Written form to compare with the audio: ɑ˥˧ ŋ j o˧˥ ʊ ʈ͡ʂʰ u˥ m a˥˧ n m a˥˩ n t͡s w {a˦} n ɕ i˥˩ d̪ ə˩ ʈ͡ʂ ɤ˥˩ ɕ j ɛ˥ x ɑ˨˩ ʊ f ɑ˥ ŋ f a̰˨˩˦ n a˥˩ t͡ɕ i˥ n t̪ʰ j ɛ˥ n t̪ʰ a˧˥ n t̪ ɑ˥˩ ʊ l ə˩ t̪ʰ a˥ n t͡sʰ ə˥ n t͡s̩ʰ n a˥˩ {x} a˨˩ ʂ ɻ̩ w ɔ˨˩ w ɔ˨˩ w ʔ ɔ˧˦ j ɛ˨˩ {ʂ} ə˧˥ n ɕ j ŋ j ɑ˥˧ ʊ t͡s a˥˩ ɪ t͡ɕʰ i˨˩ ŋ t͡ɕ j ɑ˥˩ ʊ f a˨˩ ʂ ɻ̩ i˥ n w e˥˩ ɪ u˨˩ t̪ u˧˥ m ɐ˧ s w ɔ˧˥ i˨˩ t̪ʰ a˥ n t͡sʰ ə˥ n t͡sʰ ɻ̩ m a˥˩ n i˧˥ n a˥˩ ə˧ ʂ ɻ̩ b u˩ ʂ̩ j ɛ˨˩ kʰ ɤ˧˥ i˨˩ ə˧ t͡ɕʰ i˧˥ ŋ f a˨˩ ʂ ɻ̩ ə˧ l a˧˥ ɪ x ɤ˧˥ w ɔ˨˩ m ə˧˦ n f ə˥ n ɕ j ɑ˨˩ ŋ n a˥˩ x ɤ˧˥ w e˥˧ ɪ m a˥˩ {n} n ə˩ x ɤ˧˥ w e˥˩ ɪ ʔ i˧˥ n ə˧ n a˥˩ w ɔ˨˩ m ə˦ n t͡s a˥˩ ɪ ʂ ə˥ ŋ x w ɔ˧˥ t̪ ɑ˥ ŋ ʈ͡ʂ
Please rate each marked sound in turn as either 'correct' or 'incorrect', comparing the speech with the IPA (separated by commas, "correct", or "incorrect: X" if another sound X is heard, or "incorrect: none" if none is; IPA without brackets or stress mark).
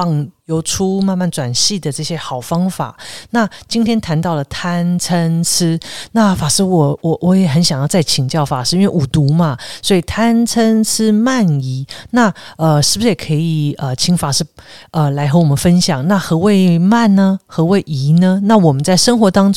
incorrect: a˨˩, incorrect: f, incorrect: x, correct